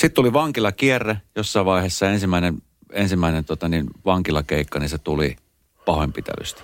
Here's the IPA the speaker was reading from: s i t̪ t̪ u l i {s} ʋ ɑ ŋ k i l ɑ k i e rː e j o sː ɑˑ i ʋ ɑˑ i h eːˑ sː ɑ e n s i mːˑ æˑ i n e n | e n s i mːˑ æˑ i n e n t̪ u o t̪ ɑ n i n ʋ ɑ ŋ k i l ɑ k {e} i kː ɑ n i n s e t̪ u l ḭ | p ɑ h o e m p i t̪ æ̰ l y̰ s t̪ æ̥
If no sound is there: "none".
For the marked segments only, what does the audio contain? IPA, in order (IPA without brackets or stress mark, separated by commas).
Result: none, e